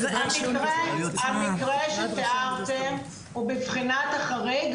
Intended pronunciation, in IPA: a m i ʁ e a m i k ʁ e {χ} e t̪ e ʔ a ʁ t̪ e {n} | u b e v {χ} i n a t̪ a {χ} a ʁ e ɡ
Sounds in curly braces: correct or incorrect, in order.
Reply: incorrect: ʃ, incorrect: m, correct, correct

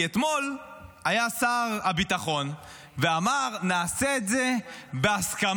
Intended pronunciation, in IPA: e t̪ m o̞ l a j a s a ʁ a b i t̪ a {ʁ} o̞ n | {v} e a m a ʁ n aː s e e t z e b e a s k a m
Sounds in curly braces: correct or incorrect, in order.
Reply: incorrect: χ, correct

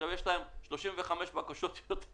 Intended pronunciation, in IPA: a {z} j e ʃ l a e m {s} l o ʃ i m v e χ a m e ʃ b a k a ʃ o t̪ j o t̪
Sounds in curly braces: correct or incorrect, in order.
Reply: incorrect: v, incorrect: ʃ

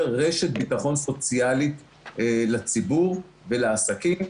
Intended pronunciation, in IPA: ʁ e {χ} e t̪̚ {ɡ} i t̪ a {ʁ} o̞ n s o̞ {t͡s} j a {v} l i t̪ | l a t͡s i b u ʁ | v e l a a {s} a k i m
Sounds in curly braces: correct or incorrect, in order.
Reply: incorrect: ʃ, incorrect: b, incorrect: χ, correct, incorrect: none, correct

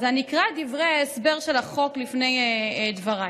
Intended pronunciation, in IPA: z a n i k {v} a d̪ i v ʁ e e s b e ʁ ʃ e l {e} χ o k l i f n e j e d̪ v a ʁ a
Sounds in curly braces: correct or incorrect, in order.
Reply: incorrect: ʁ, incorrect: a

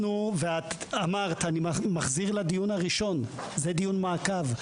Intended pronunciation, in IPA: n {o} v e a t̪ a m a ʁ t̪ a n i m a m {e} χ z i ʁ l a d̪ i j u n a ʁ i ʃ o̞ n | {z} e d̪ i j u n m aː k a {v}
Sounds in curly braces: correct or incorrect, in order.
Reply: incorrect: u, incorrect: a, correct, correct

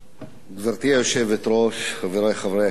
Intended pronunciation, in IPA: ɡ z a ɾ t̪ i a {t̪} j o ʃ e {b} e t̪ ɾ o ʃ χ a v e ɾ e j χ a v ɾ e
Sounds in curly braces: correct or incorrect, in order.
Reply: incorrect: none, incorrect: v

